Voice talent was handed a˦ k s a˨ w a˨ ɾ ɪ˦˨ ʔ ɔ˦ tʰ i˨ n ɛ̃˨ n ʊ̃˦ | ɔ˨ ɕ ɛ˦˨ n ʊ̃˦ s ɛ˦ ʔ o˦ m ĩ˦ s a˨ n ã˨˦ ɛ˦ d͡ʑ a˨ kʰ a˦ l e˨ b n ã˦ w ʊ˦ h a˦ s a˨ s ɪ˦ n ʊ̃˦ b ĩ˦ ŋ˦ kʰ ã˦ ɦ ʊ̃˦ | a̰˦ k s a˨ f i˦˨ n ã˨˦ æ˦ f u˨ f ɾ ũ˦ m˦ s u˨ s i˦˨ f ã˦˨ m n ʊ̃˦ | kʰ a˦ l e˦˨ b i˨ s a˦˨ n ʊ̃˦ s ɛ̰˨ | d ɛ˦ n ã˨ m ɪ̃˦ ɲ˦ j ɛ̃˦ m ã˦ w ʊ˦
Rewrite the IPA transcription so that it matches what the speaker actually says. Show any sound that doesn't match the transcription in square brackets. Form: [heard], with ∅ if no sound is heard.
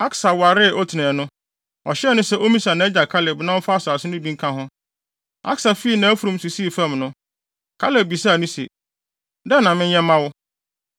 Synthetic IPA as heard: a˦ k s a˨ w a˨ ɾ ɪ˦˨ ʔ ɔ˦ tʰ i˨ n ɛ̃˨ n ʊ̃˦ | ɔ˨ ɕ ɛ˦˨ n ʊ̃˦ s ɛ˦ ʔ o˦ m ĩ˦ s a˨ n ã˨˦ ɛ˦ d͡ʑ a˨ kʰ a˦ l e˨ b n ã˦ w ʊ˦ [f] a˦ s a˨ s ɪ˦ n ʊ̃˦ b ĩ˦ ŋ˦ kʰ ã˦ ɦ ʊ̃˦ | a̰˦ k s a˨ f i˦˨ n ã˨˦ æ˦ f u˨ [∅] ɾ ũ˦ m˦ s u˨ s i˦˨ f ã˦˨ m n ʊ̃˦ | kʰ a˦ l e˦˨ b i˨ s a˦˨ n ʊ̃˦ s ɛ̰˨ | d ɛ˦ n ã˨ m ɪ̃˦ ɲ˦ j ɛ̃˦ m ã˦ w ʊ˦